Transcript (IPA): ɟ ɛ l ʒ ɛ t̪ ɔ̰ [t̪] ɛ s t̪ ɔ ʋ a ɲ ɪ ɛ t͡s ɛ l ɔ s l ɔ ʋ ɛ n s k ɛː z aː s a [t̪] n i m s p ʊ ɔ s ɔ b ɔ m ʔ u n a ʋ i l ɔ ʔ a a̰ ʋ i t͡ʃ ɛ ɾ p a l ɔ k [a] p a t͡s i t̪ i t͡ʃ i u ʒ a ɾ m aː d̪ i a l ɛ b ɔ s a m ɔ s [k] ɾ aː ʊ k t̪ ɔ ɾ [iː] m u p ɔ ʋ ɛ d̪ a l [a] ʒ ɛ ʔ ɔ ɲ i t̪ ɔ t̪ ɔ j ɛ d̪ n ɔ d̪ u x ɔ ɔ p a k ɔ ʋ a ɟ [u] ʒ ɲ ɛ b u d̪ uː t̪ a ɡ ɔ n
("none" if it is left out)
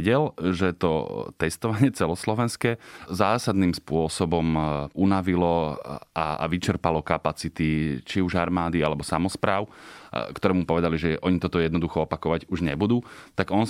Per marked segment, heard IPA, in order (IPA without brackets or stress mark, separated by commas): t̪, d̪, a, p, ɛː, i, u